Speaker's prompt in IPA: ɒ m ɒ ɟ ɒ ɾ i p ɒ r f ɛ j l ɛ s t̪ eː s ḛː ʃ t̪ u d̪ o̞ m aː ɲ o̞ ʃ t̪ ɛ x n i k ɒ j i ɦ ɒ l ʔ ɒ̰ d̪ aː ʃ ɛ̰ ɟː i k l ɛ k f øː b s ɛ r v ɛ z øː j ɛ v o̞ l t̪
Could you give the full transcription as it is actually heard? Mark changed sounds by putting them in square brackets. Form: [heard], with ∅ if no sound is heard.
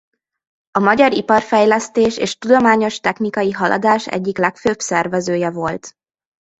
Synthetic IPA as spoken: ɒ m ɒ ɟ ɒ ɾ i p ɒ r f ɛ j l ɛ s t̪ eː [ʃ] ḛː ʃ t̪ u d̪ o̞ m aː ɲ o̞ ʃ t̪ ɛ x n i k ɒ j i ɦ ɒ l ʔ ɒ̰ d̪ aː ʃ ɛ̰ ɟː i k l ɛ k f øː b s ɛ r v ɛ z øː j ɛ v o̞ l t̪